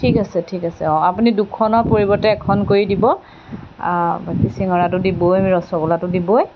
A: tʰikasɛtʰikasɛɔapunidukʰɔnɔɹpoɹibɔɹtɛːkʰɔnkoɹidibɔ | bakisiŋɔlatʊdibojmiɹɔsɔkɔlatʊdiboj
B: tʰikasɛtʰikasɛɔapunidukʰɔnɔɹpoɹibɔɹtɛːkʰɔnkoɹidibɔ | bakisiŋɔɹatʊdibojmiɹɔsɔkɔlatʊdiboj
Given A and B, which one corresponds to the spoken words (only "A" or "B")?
B